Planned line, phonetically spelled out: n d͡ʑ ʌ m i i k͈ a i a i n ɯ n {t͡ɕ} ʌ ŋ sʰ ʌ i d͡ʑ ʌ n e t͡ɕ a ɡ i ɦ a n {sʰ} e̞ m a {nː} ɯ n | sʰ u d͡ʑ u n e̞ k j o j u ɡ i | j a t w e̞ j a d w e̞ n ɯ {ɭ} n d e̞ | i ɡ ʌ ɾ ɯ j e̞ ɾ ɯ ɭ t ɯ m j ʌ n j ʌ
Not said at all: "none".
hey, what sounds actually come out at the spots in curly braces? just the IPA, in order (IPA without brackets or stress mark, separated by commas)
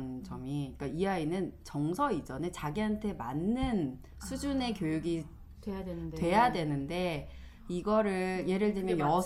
t͡ɕ, tʰ, nː, none